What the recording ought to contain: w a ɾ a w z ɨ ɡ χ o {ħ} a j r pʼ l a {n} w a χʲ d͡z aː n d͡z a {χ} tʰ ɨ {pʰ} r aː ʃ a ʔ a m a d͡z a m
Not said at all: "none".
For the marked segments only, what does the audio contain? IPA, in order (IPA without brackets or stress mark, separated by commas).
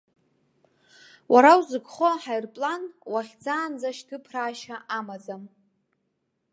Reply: ħ, n, ʃ, pʰ